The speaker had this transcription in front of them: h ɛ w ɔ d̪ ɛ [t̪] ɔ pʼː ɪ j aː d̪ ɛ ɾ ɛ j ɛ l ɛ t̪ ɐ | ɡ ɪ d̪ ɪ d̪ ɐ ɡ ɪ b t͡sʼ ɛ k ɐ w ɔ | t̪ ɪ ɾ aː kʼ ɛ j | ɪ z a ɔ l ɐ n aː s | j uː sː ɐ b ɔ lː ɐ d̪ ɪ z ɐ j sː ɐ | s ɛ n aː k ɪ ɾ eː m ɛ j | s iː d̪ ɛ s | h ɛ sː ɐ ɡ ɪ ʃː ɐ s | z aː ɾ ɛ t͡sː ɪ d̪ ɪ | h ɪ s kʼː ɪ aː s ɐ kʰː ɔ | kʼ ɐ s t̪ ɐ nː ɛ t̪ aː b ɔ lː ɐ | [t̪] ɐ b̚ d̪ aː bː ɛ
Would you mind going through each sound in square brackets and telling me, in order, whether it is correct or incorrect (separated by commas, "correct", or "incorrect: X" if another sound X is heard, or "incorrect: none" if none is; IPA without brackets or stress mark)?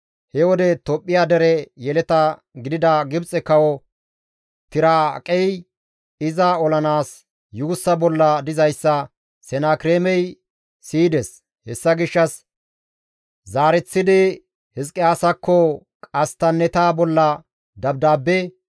correct, incorrect: d̪